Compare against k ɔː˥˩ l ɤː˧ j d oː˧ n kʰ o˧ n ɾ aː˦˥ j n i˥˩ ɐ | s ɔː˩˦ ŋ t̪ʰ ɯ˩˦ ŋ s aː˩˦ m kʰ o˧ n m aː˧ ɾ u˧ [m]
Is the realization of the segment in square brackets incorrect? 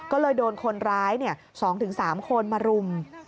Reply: no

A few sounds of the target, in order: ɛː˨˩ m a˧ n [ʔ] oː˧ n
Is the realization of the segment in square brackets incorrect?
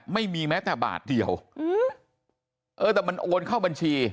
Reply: no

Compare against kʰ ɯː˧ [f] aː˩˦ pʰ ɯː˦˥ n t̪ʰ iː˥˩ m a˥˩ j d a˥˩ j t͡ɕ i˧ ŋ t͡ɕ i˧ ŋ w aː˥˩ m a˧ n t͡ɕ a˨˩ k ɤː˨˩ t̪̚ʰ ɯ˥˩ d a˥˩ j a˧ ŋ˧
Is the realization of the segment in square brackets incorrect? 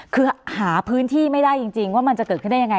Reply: yes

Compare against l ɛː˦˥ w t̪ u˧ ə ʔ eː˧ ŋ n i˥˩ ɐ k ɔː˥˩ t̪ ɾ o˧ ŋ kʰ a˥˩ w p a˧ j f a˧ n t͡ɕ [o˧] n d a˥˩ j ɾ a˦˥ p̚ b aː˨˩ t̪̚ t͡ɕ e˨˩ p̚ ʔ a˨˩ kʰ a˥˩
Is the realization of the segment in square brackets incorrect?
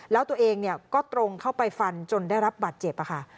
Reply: no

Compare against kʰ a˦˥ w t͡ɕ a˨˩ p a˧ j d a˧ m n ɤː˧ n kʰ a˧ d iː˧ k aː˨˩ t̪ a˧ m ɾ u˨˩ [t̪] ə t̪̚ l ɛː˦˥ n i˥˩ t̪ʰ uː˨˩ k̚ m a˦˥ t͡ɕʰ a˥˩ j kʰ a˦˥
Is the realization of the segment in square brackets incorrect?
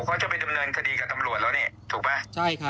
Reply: yes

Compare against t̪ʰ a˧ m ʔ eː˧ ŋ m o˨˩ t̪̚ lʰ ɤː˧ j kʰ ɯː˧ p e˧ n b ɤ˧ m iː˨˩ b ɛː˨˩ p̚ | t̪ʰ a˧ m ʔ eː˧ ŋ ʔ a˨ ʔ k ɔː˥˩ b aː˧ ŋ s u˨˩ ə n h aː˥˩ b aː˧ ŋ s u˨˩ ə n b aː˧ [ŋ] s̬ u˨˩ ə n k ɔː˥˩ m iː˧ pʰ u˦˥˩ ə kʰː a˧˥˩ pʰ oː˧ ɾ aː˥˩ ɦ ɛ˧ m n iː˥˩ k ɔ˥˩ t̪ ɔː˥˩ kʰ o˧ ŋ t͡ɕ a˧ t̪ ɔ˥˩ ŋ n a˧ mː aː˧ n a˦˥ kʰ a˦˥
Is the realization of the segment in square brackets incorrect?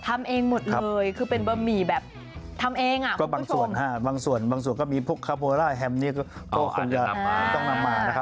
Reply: no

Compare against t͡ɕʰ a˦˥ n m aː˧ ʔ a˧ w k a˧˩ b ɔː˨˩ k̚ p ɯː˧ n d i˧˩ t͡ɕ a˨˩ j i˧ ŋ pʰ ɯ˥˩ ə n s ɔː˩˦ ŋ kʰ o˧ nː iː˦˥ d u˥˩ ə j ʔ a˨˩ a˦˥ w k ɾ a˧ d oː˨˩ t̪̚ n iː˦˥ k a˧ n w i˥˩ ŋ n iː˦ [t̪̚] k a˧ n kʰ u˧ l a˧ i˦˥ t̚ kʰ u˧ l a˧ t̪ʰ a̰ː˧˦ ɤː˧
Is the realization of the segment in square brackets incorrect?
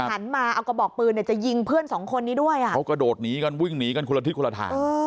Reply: yes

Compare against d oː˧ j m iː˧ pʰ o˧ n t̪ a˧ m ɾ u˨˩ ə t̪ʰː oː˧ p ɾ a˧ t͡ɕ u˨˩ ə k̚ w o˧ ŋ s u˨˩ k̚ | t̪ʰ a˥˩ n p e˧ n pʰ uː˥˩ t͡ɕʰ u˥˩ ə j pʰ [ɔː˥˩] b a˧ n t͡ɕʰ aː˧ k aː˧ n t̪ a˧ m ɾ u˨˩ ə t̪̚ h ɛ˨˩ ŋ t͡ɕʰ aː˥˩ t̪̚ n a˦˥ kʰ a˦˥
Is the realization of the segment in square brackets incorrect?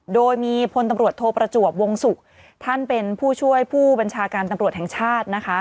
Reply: yes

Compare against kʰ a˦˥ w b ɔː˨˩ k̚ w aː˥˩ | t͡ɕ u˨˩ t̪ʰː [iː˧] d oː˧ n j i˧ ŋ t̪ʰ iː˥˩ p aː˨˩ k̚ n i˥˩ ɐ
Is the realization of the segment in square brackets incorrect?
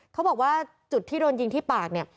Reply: yes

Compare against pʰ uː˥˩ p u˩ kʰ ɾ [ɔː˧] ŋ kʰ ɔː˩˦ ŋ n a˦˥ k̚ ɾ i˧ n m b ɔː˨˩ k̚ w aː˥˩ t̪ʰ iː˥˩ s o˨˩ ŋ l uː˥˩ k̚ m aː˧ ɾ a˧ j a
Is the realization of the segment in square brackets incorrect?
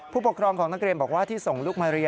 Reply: no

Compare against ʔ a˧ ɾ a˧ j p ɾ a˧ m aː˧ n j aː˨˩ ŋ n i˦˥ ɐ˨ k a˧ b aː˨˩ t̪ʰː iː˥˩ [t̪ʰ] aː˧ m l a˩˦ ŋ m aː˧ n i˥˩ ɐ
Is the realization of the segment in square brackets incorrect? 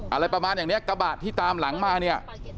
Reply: yes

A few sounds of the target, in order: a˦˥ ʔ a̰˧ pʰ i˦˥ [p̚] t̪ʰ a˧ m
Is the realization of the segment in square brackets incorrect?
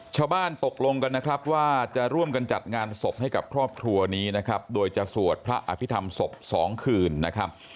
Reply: yes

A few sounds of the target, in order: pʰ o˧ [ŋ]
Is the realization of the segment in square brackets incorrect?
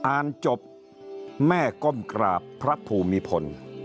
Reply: yes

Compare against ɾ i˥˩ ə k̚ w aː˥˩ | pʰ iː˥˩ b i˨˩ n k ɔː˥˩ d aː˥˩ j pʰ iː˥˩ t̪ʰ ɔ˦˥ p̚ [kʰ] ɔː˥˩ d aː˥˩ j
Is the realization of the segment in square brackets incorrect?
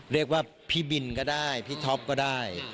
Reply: yes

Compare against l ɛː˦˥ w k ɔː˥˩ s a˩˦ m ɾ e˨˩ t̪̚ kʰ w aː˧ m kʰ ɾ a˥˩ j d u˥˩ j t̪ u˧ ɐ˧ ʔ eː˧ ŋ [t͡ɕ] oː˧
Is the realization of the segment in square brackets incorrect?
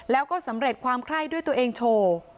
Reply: yes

